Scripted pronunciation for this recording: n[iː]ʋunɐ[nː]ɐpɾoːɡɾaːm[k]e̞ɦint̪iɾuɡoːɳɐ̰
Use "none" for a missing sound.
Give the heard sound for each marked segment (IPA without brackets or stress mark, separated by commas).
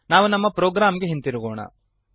aː, mː, ɡ